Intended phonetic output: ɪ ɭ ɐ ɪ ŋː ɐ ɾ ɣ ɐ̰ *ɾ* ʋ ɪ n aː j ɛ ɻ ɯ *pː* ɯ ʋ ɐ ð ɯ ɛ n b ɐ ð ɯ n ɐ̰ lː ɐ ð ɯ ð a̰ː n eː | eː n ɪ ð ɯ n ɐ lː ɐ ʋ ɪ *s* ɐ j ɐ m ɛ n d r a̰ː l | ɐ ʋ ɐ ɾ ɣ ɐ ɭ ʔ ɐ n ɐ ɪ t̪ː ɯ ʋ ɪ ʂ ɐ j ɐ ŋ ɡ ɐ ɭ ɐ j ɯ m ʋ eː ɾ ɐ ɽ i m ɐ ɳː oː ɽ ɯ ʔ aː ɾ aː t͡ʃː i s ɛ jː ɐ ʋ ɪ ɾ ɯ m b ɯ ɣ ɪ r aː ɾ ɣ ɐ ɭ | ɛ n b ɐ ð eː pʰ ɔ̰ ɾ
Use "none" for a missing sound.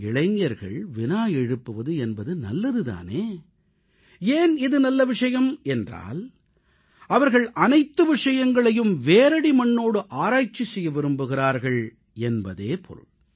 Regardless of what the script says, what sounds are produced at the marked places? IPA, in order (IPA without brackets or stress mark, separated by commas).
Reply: ɭ, pː, ʂ